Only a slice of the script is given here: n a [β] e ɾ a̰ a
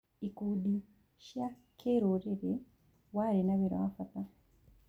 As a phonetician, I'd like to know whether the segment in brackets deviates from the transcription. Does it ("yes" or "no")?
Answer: no